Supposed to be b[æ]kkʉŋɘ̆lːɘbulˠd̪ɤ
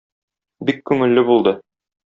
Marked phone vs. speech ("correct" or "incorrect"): incorrect